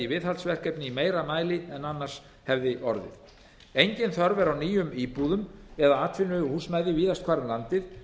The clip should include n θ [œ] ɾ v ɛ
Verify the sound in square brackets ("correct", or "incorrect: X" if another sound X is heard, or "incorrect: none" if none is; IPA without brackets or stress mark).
correct